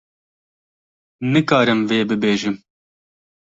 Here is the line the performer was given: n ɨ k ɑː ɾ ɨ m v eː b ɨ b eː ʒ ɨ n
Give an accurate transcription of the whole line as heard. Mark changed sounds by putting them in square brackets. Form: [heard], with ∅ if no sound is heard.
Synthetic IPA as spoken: n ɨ k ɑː ɾ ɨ m v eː b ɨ b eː ʒ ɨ [m]